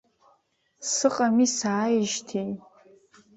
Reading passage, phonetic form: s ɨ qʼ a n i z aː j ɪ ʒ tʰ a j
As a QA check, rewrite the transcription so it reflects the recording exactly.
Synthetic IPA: s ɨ qʼ a m i s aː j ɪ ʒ tʰ e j